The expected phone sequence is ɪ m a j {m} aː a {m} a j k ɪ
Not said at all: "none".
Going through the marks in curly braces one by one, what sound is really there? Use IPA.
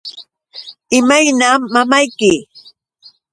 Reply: n, m

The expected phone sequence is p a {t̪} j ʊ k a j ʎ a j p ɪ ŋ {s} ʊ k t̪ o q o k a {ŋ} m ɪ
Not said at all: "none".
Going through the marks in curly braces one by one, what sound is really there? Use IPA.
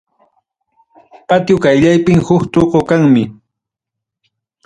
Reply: t̪, h, ŋ

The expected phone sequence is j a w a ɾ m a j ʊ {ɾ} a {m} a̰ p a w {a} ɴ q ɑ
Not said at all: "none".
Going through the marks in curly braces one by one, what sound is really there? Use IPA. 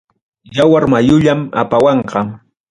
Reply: ʎ, m, ɑ

